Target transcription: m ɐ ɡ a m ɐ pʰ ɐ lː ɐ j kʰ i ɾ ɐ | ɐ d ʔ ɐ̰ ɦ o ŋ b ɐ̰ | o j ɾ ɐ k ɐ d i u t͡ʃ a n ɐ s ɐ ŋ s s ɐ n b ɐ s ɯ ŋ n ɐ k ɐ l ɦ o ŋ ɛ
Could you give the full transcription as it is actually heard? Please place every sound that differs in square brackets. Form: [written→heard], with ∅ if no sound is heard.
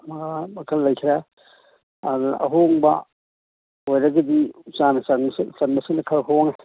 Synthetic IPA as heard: m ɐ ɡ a m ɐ [pʰ→kʰ] ɐ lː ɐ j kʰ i ɾ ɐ | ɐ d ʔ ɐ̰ ɦ o ŋ b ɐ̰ | o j ɾ ɐ [k→ɡ] ɐ d i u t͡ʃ a n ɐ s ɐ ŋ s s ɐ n b ɐ s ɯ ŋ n ɐ [k→kʰ] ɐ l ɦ o ŋ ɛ